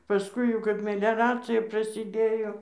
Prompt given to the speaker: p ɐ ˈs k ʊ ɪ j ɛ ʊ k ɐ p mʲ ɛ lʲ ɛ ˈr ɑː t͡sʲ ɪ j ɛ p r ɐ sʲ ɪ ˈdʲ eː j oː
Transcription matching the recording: p ɐ ˈs k ʊ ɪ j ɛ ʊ k ɐ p mʲ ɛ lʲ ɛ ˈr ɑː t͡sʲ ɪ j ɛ p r ɐ sʲ ɪ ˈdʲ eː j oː